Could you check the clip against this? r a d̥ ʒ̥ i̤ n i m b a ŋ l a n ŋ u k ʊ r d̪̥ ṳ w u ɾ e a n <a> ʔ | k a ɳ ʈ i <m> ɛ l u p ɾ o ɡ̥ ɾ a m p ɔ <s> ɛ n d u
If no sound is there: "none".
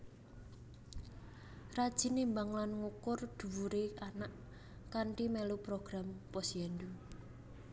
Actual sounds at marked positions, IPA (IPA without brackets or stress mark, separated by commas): a, m, s